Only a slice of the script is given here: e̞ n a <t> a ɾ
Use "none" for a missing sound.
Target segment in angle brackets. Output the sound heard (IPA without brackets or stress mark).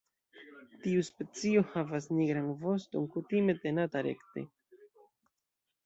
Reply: t